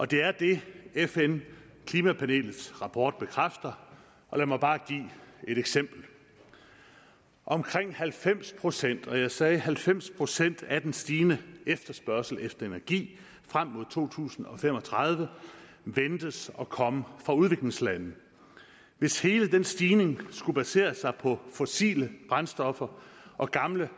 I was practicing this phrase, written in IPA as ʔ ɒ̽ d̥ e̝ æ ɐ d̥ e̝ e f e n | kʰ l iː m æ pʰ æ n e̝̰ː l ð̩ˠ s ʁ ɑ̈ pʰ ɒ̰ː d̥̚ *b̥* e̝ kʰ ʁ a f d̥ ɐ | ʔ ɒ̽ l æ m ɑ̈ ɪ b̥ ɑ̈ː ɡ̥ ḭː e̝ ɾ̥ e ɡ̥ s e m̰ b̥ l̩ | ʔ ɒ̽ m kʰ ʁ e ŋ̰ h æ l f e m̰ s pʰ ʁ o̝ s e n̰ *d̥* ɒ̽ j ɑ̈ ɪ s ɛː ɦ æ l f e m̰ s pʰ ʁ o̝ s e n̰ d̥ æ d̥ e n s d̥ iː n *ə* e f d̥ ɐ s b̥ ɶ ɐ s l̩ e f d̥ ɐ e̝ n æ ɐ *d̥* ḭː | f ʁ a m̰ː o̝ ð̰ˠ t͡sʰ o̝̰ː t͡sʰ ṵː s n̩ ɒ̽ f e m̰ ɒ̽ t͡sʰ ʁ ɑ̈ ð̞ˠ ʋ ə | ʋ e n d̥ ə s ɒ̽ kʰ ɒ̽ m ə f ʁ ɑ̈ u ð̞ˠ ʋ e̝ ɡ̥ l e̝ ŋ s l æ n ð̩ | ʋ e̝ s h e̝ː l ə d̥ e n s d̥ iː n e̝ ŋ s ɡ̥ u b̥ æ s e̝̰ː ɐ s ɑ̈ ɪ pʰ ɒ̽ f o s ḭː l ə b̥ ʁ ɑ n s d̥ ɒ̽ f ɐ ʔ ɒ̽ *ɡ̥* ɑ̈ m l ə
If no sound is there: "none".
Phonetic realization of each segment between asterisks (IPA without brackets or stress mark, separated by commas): b̥, d̥, ə, ɡ̥, ɡ̥